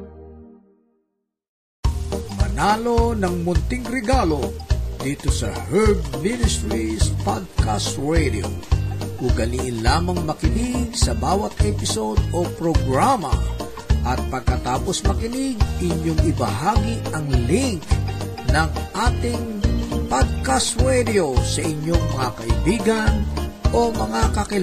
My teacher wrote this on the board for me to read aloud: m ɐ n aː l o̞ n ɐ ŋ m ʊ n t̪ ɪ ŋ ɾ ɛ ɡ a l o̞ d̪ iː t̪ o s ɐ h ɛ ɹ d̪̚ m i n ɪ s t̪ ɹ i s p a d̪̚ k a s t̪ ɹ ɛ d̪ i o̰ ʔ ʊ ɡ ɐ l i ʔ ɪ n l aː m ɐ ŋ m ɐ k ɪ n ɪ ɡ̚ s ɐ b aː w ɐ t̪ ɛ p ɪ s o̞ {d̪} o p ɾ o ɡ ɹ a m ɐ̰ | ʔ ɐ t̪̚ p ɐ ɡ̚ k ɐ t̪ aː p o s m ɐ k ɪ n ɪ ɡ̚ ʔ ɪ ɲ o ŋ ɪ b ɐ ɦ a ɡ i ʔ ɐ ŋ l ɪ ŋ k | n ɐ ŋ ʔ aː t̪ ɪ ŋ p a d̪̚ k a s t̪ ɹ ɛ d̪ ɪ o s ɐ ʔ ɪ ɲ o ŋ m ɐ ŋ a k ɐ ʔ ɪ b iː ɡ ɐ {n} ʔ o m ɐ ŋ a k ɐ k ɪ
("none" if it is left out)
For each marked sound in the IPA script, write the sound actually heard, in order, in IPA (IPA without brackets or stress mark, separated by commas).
d̪, n